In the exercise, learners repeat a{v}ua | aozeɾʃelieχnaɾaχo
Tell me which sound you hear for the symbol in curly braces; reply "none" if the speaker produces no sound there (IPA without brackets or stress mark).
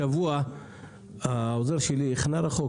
v